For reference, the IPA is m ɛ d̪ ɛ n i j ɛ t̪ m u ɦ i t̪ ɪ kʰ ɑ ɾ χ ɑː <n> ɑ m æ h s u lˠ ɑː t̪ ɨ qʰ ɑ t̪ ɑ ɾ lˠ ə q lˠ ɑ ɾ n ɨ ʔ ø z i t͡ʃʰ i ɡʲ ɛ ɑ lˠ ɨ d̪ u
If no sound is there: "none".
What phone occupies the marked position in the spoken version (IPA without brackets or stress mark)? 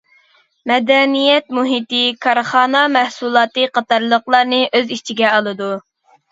n